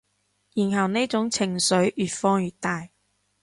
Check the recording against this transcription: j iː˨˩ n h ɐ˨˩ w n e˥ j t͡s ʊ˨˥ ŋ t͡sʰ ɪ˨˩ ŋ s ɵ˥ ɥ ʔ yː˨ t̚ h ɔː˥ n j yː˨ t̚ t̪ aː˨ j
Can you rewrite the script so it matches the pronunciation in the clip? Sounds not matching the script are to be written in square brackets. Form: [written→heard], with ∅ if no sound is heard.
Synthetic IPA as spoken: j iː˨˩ n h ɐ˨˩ w n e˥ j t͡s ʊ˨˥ ŋ t͡sʰ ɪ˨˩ ŋ s [ɵ˥→ɵ˨˥] ɥ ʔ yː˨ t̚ [h→f] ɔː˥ [n→ŋ] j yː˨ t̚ t̪ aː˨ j